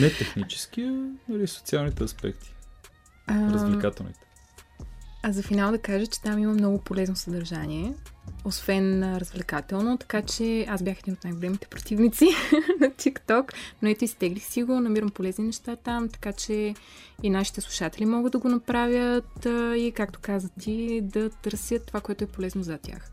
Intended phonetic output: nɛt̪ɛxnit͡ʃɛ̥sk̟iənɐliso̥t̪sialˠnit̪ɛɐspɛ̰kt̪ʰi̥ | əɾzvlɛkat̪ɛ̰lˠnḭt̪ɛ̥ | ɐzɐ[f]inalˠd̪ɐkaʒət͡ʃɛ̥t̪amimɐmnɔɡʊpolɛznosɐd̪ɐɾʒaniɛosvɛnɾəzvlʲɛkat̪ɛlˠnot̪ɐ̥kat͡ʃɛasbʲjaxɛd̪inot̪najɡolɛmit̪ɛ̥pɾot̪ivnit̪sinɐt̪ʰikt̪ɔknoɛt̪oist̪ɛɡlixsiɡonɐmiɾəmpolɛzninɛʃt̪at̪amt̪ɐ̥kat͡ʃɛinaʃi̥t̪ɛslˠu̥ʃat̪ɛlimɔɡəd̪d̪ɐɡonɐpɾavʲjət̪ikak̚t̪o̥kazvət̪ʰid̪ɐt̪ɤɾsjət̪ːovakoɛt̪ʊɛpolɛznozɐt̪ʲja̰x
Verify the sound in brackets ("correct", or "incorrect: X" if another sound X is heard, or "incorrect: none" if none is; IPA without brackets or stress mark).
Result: correct